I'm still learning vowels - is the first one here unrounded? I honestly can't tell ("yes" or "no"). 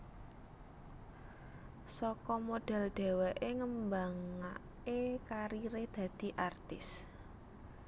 no